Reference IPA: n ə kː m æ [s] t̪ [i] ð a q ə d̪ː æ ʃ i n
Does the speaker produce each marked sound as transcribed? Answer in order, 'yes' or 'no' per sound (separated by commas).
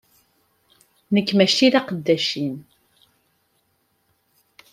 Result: no, yes